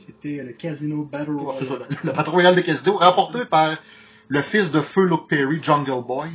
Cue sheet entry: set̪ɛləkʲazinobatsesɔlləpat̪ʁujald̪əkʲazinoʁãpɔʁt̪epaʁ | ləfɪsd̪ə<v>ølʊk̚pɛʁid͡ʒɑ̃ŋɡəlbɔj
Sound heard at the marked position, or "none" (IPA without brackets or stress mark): f